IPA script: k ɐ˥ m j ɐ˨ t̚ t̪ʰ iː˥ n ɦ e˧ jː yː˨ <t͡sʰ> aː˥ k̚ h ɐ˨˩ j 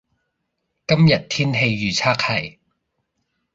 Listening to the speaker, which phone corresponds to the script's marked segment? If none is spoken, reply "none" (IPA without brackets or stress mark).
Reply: t͡sʰ